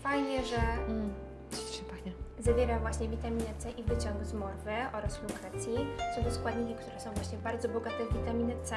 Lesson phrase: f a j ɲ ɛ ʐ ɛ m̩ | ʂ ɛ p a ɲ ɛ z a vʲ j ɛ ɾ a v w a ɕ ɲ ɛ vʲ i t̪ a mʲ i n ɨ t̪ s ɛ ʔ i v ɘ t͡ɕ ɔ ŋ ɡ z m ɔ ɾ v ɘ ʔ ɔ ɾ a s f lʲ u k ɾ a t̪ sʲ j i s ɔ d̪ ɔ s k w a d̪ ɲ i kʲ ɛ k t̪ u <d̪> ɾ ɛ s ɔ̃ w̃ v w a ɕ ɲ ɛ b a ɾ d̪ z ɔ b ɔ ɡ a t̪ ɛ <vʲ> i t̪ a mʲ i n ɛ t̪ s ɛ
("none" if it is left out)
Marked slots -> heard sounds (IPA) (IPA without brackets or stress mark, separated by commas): none, vʲ